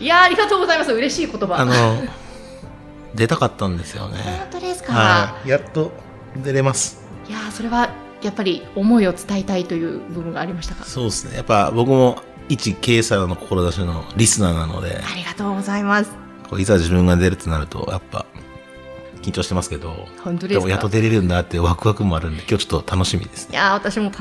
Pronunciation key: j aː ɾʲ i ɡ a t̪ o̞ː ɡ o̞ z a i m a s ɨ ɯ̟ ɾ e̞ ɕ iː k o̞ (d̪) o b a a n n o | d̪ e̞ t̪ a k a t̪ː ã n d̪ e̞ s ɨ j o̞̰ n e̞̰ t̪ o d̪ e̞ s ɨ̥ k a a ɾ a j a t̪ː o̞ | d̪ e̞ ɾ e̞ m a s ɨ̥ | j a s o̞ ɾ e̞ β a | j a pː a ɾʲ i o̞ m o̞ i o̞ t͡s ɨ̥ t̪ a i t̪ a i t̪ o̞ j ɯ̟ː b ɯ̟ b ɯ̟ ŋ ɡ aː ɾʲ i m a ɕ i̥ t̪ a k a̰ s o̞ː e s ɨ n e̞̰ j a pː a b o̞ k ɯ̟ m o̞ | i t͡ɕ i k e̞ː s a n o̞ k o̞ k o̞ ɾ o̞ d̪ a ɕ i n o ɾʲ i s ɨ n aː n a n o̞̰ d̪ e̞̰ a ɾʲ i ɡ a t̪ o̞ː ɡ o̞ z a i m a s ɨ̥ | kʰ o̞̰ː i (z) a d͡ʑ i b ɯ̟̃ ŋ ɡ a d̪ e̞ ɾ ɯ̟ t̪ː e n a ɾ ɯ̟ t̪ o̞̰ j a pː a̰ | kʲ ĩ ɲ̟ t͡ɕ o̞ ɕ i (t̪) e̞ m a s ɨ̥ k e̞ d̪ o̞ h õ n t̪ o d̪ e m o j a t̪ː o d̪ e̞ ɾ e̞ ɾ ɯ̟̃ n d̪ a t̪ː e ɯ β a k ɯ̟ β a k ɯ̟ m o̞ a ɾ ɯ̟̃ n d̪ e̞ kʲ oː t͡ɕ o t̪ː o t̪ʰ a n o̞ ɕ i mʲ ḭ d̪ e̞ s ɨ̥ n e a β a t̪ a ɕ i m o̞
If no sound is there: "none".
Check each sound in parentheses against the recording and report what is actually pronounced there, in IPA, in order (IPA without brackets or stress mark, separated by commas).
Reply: t̪, z, t̪